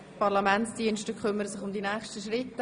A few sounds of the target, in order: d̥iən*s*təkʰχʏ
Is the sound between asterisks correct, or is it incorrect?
incorrect